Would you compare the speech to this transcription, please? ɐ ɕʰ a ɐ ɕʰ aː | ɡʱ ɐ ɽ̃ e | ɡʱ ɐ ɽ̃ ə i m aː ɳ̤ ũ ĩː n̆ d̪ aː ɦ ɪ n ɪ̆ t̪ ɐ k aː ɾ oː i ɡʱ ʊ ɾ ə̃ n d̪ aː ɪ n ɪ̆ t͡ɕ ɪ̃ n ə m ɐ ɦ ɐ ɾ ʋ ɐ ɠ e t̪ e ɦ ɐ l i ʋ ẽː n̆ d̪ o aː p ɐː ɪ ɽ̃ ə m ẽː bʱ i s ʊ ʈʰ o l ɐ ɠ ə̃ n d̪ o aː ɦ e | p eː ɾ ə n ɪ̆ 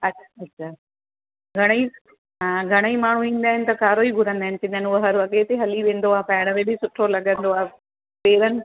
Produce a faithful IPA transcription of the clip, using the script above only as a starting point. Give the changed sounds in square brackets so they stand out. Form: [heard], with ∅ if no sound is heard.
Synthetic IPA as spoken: ɐ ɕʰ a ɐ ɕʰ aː | ɡʱ ɐ ɽ̃ [i] | ɡʱ ɐ ɽ̃ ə i m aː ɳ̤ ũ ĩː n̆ d̪ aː ɦ ɪ n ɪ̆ t̪ ɐ k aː ɾ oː i ɡʱ ʊ ɾ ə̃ n d̪ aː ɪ n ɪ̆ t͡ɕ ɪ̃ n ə [n] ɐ ɦ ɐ ɾ ʋ ɐ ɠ e t̪ e ɦ ɐ l i ʋ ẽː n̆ d̪ o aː p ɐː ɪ ɽ̃ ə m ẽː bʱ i s ʊ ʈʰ o l ɐ ɠ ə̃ n d̪ o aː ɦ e | p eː ɾ ə n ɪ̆